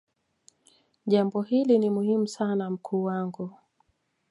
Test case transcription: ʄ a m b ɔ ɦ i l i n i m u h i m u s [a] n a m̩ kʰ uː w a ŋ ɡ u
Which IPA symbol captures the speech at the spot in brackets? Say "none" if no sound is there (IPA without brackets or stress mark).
a